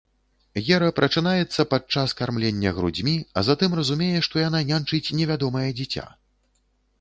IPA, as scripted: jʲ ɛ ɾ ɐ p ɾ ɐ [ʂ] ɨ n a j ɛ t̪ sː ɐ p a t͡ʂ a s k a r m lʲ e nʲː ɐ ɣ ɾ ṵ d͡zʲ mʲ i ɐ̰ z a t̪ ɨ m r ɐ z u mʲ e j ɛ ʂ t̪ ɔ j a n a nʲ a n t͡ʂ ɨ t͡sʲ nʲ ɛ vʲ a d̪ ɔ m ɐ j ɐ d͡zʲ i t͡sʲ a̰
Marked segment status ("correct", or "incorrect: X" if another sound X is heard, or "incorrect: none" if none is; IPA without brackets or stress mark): incorrect: t͡ʂ